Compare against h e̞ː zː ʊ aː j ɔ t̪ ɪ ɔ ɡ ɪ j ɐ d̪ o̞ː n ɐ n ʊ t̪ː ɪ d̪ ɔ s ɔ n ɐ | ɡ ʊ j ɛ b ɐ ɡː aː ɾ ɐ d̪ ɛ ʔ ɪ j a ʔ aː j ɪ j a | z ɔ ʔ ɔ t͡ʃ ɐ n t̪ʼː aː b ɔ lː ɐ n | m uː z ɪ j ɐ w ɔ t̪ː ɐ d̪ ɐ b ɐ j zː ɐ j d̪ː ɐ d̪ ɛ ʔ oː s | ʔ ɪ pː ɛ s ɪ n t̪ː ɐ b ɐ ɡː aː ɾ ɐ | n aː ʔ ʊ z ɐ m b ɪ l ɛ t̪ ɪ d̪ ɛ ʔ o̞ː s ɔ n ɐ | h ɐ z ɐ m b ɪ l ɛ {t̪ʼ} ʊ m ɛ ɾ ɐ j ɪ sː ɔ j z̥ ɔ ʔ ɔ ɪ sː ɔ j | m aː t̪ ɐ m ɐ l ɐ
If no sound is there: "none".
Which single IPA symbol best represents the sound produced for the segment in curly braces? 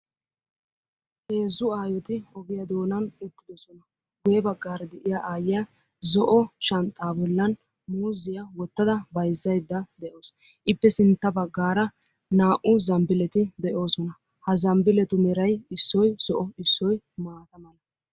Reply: t̪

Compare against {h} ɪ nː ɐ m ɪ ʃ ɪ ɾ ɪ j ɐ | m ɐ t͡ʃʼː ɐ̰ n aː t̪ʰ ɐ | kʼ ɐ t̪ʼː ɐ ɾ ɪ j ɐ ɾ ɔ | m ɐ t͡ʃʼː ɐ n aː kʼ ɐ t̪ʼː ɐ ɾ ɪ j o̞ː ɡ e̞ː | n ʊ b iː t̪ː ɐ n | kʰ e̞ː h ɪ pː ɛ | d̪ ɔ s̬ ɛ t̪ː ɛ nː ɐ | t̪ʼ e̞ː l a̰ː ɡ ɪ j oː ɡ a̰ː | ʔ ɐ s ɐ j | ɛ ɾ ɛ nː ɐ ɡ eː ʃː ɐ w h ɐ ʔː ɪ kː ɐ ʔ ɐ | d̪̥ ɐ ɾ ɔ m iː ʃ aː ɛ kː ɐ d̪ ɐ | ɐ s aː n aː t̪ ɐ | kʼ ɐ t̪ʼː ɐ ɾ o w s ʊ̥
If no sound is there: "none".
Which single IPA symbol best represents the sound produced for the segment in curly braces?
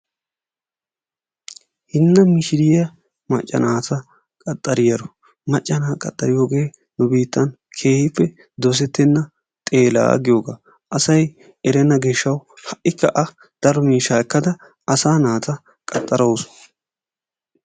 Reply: h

